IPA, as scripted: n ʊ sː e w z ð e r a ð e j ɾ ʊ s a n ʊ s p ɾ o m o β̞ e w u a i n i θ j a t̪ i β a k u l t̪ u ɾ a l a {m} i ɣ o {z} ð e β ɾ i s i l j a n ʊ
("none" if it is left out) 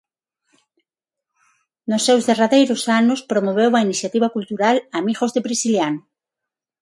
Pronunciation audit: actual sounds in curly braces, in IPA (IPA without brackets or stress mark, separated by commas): m, z